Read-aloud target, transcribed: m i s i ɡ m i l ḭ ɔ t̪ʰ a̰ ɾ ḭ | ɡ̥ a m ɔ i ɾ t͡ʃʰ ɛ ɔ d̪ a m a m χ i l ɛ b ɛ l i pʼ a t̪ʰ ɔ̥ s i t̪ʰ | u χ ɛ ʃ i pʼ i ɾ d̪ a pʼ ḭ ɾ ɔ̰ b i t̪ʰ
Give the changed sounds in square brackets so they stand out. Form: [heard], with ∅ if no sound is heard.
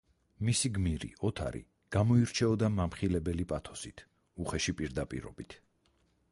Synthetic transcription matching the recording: m i s i ɡ m i [ɾ] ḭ ɔ t̪ʰ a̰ ɾ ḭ | ɡ̥ a m ɔ i ɾ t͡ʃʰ ɛ ɔ d̪ a m a m χ i l ɛ b ɛ l i pʼ a t̪ʰ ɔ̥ s i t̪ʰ | u χ ɛ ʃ i pʼ i ɾ d̪ a pʼ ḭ ɾ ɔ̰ b i t̪ʰ